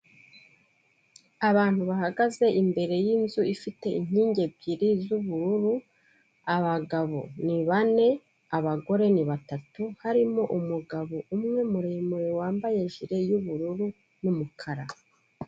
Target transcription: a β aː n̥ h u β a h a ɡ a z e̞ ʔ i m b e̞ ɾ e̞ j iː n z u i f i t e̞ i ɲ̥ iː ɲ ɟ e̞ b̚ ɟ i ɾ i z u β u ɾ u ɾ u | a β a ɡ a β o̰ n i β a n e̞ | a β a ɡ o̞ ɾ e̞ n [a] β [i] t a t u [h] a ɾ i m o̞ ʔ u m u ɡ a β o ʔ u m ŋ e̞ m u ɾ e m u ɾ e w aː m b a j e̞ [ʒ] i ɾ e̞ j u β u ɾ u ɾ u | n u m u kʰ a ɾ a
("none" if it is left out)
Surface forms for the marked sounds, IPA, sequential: i, a, h, ʒ

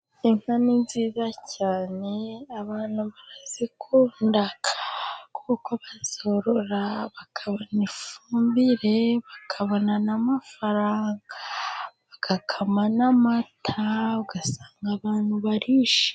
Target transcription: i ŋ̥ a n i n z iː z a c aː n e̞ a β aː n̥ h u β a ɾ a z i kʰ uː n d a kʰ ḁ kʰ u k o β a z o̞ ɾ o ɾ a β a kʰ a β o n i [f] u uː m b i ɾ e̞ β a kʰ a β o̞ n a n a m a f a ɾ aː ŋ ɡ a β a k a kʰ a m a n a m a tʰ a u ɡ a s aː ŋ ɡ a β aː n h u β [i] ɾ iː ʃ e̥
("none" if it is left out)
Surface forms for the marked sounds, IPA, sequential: f, a

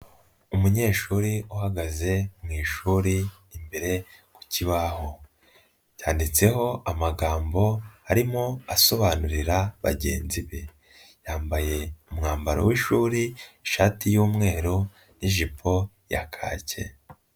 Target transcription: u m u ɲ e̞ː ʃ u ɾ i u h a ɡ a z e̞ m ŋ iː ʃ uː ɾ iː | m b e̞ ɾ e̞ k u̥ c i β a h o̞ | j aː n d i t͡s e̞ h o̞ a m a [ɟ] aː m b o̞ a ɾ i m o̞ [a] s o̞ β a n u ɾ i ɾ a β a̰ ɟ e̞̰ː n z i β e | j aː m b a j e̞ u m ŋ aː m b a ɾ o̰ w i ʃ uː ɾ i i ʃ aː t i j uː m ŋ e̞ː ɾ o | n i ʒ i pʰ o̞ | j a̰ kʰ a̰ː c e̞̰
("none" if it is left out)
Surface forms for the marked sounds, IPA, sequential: ɡ, a

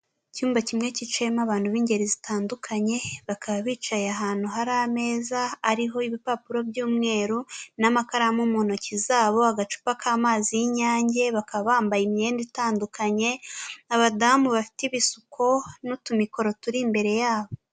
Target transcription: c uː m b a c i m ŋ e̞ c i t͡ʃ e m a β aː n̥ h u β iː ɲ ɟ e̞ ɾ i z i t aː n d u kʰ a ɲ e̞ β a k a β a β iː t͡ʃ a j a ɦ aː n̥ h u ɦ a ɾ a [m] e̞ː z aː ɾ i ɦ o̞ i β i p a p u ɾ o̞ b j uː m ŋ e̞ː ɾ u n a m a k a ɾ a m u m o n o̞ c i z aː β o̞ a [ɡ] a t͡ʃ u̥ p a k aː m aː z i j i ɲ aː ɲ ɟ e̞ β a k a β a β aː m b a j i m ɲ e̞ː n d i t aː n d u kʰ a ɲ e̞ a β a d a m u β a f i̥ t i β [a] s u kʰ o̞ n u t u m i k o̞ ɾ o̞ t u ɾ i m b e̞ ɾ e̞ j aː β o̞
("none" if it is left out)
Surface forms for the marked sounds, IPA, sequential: m, ɡ, i

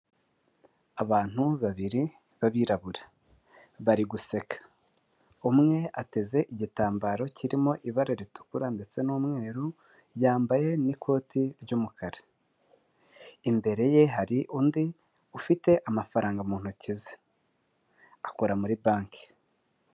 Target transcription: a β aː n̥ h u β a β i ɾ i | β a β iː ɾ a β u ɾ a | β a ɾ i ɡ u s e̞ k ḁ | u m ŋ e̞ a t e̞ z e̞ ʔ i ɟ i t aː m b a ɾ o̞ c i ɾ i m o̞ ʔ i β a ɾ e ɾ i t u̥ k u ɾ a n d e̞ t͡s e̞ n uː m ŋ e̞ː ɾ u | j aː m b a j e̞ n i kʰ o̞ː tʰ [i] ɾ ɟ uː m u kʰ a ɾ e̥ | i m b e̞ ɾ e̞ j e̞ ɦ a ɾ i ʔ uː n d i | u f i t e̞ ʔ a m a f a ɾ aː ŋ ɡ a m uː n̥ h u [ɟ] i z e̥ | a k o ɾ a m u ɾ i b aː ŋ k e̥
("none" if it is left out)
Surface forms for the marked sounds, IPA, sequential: i, c

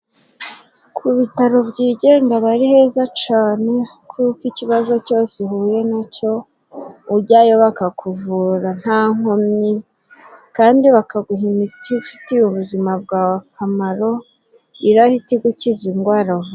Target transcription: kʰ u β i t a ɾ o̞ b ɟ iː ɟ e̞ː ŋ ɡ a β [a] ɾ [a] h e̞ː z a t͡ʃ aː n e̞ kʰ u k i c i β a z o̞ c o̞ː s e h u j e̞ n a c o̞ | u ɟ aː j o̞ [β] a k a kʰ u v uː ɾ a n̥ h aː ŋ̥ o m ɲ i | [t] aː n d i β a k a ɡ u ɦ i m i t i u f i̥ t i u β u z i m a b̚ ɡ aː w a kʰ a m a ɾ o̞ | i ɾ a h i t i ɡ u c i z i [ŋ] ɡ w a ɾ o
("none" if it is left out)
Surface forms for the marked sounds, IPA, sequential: a, i, β, k, ŋ

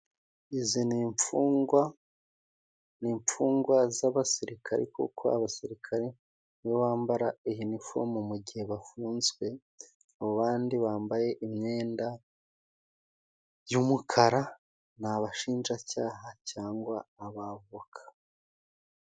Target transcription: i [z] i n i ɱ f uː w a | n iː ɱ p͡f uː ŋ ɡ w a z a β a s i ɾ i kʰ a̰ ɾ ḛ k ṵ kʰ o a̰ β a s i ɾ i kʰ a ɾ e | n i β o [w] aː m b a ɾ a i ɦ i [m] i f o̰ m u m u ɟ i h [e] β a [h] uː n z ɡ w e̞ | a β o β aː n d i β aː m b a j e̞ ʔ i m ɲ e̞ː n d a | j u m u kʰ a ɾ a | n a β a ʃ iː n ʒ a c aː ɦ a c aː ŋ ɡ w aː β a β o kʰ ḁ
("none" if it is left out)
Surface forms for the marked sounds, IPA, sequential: z, β, n, e, f

